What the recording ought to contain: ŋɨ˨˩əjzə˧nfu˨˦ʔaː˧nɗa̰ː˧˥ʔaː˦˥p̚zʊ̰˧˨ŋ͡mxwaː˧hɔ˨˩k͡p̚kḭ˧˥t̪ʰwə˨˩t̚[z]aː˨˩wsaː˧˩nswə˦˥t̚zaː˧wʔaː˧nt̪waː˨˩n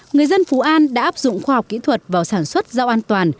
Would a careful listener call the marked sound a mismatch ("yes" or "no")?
yes